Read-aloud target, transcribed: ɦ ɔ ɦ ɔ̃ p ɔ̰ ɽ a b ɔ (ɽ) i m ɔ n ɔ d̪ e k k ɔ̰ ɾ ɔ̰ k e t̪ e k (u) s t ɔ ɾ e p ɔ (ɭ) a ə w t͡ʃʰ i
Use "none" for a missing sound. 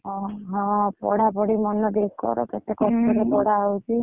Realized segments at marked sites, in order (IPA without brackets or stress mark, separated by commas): ɽ, ɔ, ɽ